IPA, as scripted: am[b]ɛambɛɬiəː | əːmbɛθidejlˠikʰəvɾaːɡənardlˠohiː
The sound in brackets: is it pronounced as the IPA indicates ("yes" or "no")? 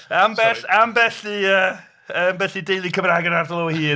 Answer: yes